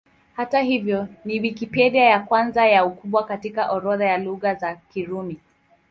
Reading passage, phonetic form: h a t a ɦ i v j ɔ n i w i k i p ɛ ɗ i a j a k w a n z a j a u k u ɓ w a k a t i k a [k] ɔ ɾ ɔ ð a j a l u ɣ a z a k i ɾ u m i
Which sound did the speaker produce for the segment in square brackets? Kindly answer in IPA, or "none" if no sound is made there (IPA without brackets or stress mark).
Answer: ʔ